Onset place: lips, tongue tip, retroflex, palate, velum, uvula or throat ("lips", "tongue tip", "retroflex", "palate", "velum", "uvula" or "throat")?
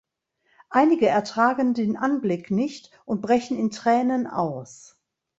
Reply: throat